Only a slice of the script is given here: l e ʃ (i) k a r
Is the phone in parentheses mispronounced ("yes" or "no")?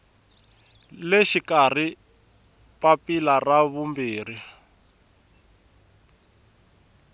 no